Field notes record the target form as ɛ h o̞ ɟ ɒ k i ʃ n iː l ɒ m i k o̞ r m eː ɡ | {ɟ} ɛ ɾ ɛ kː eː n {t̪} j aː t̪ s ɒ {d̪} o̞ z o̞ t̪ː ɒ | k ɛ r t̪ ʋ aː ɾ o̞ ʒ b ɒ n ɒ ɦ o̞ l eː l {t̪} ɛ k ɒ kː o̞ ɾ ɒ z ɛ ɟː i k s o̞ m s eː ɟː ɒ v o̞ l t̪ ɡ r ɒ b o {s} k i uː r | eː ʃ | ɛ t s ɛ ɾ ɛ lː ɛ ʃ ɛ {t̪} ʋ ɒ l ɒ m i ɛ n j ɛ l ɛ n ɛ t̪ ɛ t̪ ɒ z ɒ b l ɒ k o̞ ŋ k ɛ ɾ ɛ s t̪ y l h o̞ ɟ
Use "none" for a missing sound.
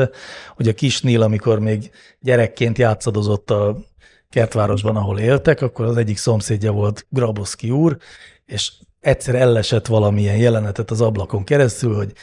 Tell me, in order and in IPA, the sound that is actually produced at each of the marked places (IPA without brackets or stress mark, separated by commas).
ɟ, t̪, d̪, t̪, s, t̪